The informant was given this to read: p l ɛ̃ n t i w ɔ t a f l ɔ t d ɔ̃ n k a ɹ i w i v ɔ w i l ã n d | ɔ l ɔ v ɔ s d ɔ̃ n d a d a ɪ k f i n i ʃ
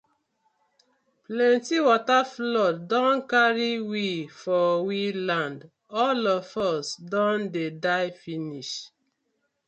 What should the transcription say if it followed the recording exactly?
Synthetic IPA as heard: p l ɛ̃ n t i w ɔ t a f l ɔ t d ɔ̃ n k a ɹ i w i f ɔ w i l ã n d | ɔ l ɔ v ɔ s d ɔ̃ n d e d a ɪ f i n i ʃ